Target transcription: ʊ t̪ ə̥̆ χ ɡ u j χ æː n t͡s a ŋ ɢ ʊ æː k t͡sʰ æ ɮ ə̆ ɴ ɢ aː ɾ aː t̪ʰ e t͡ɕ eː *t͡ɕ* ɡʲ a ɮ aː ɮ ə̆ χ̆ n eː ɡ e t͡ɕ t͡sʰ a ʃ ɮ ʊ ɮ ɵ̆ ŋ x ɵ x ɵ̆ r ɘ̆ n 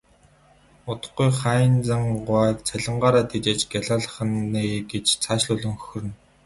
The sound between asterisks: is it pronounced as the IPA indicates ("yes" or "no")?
yes